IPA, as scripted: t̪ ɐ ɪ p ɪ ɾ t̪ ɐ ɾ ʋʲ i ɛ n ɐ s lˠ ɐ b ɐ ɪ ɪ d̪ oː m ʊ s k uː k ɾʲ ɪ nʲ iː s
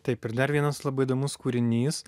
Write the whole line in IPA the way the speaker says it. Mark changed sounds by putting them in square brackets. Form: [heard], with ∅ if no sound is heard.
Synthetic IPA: t̪ ɐ ɪ p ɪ ɾ [d̪] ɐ ɾ ʋʲ i ɛ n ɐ s lˠ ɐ b ɐ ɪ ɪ d̪ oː m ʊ s k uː [∅] ɾʲ ɪ nʲ iː s